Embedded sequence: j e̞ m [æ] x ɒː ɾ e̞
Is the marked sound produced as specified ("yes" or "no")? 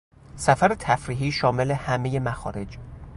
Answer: yes